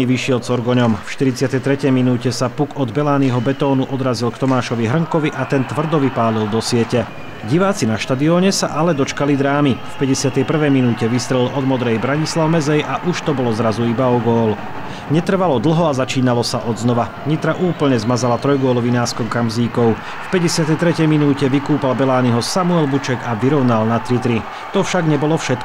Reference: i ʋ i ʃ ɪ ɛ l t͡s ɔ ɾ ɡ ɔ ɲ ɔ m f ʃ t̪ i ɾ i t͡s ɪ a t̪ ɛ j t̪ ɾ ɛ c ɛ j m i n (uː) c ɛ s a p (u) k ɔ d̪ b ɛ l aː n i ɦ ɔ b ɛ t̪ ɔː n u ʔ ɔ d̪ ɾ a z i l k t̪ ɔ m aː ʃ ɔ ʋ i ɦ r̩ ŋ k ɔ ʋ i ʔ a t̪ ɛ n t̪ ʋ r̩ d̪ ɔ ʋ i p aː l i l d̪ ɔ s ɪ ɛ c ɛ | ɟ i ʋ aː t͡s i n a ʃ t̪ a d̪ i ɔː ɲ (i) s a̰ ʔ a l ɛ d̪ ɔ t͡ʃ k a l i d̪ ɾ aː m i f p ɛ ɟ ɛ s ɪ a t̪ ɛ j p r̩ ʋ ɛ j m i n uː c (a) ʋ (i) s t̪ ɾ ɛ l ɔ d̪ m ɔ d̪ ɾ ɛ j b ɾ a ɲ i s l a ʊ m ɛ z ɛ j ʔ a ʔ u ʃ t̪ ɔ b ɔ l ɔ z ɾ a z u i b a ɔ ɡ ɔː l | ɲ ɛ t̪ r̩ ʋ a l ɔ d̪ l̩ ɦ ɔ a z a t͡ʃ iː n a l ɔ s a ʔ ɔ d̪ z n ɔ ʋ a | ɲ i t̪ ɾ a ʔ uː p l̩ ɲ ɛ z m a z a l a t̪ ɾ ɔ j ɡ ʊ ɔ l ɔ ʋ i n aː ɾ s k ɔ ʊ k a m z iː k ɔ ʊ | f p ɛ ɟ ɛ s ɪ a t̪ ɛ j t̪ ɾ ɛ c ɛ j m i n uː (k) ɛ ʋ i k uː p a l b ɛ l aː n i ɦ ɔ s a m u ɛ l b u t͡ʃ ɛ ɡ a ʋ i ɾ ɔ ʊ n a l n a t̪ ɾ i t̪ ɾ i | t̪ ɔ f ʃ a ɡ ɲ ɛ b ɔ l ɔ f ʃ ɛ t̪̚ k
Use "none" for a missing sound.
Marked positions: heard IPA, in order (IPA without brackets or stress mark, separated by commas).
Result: uː, u, ɛ, ɛ, i, c